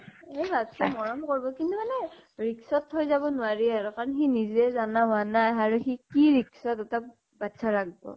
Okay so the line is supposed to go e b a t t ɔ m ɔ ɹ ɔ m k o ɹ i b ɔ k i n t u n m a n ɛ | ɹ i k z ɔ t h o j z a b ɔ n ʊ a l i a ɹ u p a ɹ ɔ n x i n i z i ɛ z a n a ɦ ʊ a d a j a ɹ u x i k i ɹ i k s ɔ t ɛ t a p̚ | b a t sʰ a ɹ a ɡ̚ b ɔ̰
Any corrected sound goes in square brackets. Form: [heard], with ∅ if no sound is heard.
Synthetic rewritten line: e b a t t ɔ m ɔ ɹ ɔ m k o ɹ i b ɔ k i n t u [∅] m a n ɛ | ɹ i k [s] ɔ t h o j z a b ɔ n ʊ a [ɹ] i a ɹ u [k] a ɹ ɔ n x i n i z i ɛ z a n a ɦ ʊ a [n] a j a ɹ u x i k i ɹ i k s ɔ t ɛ t a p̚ | b a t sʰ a ɹ a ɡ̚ b ɔ̰